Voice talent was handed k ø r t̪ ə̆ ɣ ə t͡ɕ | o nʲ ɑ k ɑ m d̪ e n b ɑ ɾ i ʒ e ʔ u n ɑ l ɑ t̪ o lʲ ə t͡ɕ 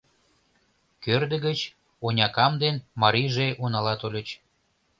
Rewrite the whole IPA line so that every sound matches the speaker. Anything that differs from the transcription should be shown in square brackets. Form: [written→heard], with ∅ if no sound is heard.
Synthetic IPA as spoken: k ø r [t̪→d̪] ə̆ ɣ ə t͡ɕ | o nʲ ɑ k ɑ m d̪ e n [b→m] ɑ ɾ i ʒ e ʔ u n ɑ l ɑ t̪ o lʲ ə t͡ɕ